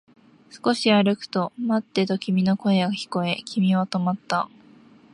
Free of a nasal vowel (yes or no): yes